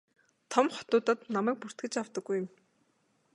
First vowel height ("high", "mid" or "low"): mid